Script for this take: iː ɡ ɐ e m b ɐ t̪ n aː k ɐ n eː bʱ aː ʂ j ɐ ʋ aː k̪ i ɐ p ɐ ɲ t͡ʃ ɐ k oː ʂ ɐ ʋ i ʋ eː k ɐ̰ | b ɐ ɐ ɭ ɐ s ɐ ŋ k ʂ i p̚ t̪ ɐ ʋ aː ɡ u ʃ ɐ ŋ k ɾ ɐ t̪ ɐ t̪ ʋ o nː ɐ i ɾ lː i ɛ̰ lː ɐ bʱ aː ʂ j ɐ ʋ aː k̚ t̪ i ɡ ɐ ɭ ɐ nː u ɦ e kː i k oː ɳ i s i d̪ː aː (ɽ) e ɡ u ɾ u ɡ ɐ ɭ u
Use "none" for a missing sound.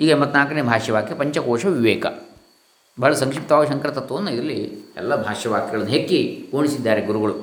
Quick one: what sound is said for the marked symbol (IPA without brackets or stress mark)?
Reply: ɾ